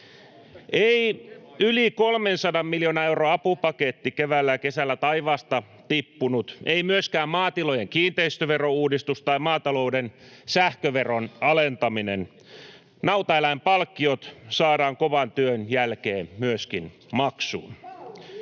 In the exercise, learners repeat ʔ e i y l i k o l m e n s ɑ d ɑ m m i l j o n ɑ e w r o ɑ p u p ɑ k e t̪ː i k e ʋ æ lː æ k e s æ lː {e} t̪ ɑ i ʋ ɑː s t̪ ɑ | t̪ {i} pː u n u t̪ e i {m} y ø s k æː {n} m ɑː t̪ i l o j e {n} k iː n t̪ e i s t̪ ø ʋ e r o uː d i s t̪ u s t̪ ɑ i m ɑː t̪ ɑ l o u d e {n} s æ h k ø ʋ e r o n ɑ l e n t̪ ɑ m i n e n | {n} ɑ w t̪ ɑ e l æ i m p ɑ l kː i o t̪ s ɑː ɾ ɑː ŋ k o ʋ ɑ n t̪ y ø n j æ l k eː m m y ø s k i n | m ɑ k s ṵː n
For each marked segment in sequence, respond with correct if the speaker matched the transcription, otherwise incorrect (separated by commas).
incorrect, correct, correct, incorrect, incorrect, correct, correct